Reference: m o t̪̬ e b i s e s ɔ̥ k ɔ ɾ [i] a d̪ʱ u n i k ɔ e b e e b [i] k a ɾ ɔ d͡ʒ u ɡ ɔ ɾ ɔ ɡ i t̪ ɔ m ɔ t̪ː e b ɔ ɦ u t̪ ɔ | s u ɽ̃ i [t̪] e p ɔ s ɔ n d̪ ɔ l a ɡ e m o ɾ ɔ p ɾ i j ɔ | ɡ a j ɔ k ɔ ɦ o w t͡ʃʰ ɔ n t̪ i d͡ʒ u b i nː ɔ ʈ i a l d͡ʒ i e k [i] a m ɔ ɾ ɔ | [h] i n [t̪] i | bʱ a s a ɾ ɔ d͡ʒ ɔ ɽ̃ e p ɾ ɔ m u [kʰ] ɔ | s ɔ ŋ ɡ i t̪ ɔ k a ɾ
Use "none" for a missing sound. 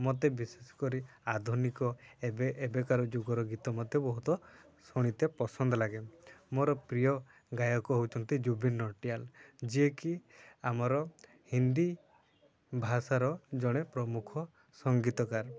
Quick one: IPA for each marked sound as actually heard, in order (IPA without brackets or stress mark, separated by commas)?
i, e, t̪, i, h, d̪, kʰ